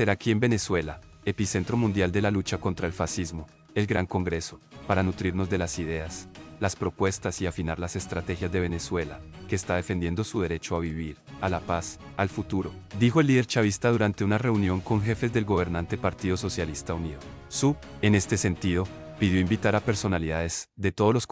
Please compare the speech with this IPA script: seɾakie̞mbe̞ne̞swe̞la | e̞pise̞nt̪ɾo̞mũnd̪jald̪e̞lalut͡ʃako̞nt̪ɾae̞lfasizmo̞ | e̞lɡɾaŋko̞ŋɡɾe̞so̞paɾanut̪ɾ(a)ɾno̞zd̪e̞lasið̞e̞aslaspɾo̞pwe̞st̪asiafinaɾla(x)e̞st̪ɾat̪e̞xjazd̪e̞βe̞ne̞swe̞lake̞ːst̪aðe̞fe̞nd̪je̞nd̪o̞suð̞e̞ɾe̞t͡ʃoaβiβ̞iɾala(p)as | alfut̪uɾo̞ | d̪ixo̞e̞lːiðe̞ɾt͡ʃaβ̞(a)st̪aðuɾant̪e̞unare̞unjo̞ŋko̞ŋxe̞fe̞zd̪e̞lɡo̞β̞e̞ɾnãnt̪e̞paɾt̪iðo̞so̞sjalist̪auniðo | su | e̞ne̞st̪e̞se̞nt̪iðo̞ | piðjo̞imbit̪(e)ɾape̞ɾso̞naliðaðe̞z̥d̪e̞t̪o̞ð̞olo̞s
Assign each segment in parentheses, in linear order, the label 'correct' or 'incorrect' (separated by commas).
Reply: incorrect, incorrect, correct, incorrect, incorrect